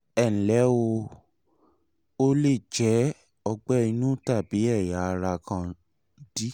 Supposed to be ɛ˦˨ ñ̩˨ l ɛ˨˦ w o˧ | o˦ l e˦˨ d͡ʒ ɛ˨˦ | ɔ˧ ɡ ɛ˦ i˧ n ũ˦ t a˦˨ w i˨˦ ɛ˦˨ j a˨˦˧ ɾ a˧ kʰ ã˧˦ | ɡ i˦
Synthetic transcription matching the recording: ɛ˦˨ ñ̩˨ l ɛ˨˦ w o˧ | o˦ l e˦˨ d͡ʒ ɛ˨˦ | ɔ˧ ɡ͡b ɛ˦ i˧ n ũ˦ t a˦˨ b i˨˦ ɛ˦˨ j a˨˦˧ ɾ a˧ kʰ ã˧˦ | d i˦